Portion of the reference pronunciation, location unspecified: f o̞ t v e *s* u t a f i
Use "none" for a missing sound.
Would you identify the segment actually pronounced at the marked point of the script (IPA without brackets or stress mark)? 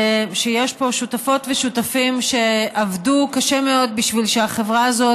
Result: ʃ